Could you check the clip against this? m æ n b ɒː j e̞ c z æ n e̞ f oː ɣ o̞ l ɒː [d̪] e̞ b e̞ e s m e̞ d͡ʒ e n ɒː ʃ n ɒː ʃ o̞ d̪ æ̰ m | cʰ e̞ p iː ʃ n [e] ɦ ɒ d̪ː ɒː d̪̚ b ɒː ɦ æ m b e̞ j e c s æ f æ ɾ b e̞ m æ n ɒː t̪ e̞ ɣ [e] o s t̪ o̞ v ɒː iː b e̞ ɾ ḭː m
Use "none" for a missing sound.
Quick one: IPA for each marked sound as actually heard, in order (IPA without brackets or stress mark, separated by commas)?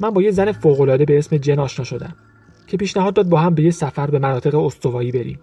d̪, æ, e